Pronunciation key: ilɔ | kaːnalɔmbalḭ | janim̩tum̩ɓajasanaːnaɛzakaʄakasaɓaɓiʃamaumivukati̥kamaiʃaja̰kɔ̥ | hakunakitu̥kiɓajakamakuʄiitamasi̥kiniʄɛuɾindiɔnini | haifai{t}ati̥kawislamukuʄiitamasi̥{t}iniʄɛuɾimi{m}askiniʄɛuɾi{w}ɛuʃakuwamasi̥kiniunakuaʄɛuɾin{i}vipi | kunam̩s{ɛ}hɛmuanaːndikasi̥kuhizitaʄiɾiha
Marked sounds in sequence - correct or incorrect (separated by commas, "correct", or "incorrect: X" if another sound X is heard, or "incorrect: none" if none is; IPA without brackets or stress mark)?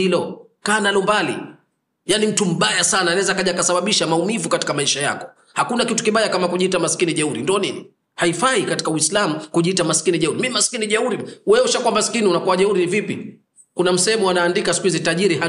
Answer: incorrect: k, incorrect: k, correct, correct, correct, correct